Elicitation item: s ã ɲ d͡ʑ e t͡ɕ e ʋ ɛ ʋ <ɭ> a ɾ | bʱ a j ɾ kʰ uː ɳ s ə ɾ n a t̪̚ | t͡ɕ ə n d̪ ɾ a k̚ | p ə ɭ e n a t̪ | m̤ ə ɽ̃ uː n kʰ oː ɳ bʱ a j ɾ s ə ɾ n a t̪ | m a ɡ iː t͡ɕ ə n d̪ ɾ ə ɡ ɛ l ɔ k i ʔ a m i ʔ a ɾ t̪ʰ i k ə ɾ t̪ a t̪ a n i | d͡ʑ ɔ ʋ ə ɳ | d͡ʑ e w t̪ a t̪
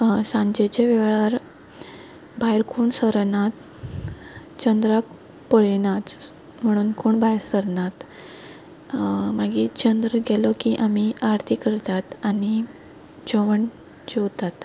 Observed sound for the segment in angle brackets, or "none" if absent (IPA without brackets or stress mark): ɭ